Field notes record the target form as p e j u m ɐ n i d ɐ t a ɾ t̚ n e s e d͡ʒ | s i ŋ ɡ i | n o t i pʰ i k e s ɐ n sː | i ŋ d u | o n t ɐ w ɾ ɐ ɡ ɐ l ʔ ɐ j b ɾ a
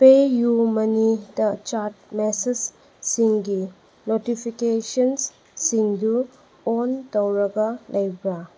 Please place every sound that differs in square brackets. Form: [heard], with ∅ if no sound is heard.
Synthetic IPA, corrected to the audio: p e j u m ɐ n i d ɐ [t͡ʃ] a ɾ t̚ [m] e s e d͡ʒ | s i ŋ ɡ i | n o t i pʰ i k e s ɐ n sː | i ŋ d u | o n t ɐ w ɾ ɐ ɡ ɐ l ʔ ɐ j b ɾ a